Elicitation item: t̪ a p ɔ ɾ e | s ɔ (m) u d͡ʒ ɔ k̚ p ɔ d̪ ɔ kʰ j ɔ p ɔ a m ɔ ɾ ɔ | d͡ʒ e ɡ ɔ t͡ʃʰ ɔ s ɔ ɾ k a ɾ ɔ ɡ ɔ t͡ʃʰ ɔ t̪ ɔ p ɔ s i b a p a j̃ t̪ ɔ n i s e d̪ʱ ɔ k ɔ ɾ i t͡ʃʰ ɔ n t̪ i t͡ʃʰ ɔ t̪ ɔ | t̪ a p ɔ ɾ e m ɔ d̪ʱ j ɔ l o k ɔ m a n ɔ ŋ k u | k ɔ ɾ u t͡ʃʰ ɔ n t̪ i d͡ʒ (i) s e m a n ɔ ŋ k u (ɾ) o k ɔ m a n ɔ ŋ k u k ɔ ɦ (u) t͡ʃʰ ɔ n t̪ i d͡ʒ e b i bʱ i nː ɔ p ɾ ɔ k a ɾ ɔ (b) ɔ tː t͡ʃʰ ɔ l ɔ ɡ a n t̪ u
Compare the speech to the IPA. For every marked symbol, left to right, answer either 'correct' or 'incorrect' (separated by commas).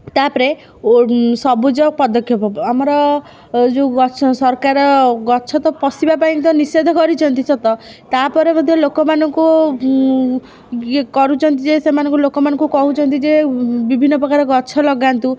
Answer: incorrect, incorrect, incorrect, correct, incorrect